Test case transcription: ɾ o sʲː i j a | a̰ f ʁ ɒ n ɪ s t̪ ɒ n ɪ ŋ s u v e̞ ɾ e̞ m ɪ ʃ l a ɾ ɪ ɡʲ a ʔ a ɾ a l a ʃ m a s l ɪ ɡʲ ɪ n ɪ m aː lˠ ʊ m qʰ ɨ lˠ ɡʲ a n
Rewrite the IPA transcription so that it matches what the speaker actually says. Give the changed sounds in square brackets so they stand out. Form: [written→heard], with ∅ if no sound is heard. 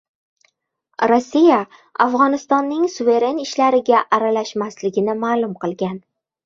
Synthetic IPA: ɾ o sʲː i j a | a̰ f ʁ ɒ n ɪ s t̪ ɒ [n→nː] ɪ ŋ s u v e̞ ɾ e̞ [m→n] ɪ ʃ l a ɾ ɪ ɡʲ a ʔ a ɾ a l a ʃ m a s l ɪ ɡʲ ɪ n ɪ m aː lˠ ʊ m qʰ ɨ lˠ ɡʲ a n